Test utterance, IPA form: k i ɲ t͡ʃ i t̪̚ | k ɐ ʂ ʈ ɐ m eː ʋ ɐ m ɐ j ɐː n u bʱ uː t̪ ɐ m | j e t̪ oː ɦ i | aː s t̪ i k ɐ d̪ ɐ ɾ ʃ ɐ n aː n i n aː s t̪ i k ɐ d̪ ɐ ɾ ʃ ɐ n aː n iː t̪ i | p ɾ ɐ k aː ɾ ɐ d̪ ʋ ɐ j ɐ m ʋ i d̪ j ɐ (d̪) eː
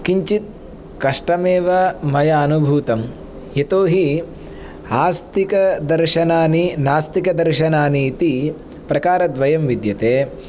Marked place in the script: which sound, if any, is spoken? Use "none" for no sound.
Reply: t̪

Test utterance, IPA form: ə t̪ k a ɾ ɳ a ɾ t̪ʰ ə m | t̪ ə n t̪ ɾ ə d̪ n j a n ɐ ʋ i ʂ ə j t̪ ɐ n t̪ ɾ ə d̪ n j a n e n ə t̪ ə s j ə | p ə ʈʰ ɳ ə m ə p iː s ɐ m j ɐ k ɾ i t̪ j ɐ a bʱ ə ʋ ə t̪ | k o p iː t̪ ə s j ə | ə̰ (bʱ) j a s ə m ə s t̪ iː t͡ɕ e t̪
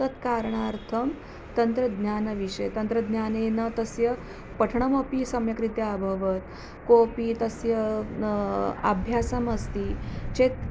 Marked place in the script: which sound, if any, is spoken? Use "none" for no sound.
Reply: bʱ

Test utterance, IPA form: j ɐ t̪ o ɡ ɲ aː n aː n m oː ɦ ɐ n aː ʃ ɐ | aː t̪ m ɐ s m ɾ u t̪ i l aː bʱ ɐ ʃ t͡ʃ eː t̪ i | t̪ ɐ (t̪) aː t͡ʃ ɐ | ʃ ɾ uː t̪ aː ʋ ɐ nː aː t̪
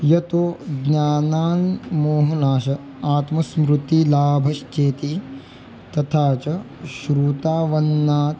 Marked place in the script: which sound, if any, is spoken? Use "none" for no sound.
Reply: t̪ʰ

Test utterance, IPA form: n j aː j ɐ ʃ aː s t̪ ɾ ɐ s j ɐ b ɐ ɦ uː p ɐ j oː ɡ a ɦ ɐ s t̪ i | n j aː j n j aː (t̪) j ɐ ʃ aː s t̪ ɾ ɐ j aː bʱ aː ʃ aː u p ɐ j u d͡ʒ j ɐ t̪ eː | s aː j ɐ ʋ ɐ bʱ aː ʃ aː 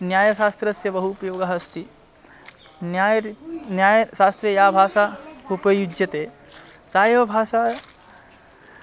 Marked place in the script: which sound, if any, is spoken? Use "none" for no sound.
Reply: none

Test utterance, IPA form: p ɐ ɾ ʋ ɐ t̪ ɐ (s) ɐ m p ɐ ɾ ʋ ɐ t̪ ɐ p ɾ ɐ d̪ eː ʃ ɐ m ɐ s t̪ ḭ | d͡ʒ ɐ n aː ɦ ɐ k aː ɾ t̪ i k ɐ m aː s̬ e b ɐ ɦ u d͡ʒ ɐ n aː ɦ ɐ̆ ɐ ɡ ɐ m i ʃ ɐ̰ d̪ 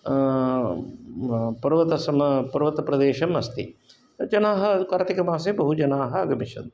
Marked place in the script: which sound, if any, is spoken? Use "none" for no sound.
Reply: s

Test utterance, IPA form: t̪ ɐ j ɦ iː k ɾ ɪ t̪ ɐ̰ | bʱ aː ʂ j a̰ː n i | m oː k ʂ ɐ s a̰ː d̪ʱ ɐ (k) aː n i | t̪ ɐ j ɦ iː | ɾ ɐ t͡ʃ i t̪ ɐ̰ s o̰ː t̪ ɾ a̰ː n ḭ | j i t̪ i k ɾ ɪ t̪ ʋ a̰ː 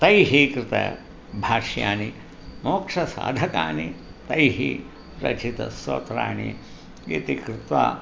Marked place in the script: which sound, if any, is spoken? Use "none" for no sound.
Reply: k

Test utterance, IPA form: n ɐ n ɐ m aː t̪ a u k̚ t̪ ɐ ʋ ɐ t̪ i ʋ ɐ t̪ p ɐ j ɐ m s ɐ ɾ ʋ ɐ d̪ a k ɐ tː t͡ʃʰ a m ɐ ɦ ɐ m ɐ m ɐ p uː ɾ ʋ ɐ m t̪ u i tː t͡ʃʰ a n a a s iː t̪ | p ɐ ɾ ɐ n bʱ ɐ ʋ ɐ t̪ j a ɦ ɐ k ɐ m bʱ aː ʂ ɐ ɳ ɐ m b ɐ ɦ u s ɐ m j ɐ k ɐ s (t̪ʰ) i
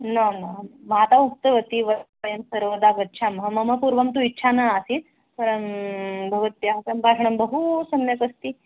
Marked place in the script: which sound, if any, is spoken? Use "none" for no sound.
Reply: t̪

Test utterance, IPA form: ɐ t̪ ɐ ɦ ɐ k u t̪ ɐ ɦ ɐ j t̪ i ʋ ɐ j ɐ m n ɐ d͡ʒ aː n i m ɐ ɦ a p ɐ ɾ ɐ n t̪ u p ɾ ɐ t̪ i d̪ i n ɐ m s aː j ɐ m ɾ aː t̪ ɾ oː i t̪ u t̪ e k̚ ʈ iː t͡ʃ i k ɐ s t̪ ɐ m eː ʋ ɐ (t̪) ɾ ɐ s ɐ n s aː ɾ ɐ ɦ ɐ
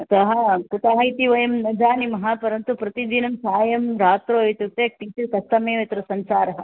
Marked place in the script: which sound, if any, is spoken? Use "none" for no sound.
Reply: t̪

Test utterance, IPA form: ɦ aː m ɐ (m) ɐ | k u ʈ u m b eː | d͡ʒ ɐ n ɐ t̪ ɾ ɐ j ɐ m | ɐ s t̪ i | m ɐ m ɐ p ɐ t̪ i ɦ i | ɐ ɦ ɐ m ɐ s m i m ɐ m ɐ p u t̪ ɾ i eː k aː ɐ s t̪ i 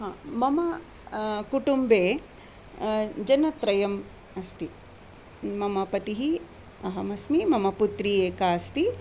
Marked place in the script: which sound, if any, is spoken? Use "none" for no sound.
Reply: m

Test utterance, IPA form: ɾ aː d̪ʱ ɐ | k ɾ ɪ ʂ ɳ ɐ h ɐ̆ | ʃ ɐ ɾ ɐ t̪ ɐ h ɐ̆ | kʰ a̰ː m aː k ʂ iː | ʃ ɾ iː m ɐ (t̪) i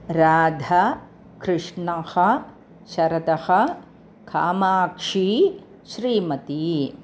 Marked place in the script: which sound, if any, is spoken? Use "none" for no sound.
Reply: t̪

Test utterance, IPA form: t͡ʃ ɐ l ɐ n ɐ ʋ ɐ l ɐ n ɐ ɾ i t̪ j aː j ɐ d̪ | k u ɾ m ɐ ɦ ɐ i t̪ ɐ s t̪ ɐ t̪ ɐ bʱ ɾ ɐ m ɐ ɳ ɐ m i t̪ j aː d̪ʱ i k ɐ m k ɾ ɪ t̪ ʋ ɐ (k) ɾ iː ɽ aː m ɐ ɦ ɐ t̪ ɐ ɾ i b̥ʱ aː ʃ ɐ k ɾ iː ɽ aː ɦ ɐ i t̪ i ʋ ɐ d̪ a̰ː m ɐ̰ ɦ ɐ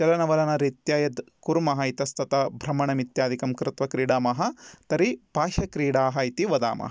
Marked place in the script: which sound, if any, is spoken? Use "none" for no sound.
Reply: k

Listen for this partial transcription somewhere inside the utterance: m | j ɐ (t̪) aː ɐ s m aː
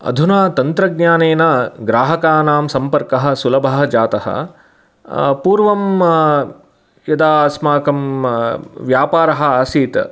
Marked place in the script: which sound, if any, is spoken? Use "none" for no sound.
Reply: d̪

